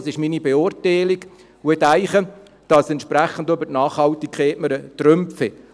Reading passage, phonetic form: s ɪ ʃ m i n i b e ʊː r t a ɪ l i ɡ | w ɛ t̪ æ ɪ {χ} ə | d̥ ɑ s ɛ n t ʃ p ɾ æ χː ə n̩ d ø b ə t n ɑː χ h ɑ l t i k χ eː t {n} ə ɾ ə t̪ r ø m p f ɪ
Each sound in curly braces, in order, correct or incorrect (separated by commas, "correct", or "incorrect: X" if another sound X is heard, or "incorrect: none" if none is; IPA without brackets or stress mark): correct, incorrect: m